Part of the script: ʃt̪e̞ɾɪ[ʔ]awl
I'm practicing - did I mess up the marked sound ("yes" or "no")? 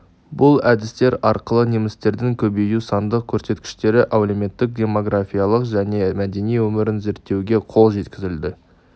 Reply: no